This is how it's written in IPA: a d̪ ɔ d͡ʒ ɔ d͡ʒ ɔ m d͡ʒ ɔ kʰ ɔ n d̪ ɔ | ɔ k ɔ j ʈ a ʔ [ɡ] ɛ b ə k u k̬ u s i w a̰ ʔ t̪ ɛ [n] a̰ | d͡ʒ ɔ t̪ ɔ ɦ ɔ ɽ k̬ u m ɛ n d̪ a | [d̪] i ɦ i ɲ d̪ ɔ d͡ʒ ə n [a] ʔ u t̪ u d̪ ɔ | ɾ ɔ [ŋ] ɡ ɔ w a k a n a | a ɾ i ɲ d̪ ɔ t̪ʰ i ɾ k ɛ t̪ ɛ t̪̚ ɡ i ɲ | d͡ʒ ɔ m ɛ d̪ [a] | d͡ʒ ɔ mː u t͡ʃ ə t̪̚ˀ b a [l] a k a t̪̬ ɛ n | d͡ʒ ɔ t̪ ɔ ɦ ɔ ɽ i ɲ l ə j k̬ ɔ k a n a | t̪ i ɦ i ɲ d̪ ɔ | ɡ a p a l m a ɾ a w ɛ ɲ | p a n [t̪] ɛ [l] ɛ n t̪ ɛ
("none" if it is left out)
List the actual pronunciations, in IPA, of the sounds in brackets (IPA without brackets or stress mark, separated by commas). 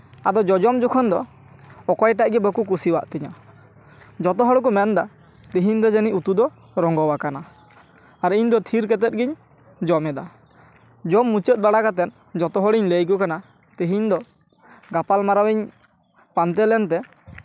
ɡ, ɲ, t̪, i, ŋ, a, ɽ, t̪, l